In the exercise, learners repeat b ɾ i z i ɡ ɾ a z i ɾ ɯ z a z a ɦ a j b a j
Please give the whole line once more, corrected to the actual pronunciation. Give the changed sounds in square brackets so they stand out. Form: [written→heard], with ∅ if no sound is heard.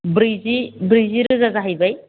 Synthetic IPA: b ɾ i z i [ɡ→b] ɾ [a→i] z i ɾ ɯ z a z a ɦ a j b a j

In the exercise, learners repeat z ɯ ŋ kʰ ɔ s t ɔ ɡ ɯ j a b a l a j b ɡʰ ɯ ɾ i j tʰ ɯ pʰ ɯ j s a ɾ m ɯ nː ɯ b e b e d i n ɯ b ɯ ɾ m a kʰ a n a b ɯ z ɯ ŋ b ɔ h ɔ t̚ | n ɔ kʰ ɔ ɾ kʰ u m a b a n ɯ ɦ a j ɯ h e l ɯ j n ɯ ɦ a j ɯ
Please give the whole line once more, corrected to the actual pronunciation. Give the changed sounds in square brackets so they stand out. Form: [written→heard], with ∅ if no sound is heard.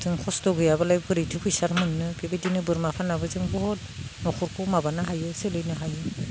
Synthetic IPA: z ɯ ŋ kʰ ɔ s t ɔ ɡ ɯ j a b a l a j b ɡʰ ɯ ɾ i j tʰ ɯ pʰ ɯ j s a ɾ m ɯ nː ɯ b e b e d i n ɯ b ɯ ɾ m a [kʰ→pʰ] a n a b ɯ z ɯ ŋ b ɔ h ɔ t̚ | n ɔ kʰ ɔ ɾ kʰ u m a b a n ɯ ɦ a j ɯ [h→s] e l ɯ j n ɯ ɦ a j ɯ

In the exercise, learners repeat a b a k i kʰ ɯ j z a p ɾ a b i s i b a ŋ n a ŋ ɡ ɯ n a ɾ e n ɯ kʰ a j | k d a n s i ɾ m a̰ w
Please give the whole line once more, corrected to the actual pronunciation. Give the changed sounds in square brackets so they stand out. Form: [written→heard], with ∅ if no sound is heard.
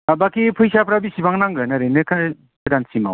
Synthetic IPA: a b a k i [kʰ→pʰ] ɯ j [z→s] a p ɾ a b i s i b a ŋ n a ŋ ɡ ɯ n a ɾ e n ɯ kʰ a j | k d a n s i [ɾ→∅] m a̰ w

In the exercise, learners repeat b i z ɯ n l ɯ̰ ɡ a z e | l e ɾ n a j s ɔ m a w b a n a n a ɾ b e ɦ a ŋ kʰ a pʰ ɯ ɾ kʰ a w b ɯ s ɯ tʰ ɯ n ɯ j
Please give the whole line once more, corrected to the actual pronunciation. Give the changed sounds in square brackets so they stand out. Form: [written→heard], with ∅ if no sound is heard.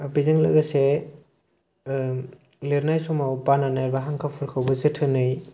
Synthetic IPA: b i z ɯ [n→ŋ] l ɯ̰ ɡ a [z→s] e | l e ɾ n a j s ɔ m a w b a n a n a ɾ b [e→a] ɦ a ŋ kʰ a pʰ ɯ ɾ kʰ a w b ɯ [s→z] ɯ tʰ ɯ n ɯ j

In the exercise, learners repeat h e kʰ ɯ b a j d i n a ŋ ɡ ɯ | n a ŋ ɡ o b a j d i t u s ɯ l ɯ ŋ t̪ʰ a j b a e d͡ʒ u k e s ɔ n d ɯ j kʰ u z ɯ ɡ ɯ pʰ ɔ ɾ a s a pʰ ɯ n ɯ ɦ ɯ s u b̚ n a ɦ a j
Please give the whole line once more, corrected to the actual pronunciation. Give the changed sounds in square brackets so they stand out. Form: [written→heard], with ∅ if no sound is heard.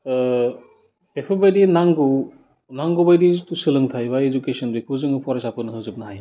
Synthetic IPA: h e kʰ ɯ b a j d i n a ŋ ɡ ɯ | n a ŋ ɡ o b a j d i t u s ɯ l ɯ ŋ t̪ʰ a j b a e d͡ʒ u k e s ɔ n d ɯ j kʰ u z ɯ [ɡ→ŋ] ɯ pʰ ɔ ɾ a s a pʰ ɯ n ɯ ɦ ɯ [s→z] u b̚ n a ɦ a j

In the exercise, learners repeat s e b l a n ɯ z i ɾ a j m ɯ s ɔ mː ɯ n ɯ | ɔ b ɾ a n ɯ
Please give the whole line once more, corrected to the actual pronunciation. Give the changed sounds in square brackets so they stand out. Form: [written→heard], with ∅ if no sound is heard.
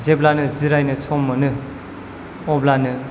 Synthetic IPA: [s→z] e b l a n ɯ z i ɾ a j [m→n] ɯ s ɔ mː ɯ n ɯ | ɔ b [ɾ→l] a n ɯ

